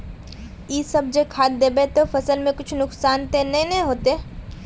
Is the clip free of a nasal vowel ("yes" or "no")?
no